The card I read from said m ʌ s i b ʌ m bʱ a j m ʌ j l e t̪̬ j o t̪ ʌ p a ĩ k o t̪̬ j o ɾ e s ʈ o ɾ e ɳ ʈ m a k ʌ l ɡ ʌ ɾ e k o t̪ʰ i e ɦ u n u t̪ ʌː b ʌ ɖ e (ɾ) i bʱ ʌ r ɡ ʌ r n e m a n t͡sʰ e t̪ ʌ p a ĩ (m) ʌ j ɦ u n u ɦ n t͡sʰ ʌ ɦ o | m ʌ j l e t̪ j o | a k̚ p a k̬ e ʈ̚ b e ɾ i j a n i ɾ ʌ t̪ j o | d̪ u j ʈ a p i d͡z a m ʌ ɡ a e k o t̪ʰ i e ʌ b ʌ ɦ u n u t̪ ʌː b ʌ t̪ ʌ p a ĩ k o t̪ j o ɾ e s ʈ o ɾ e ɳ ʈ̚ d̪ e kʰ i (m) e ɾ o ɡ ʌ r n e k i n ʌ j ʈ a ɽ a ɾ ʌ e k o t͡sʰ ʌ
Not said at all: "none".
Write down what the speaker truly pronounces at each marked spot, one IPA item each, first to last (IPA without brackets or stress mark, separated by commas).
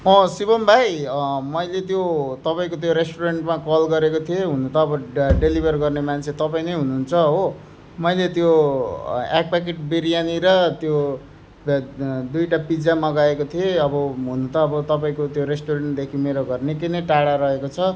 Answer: l, n, m